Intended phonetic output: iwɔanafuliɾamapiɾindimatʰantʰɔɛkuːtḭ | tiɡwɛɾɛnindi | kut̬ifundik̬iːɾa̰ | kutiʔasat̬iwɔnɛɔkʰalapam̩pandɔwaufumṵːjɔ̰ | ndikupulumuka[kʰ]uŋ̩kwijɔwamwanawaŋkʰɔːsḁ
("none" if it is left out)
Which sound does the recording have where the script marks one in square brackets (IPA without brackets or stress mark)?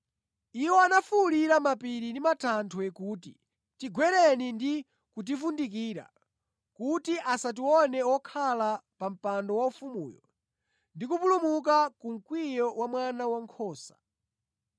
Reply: k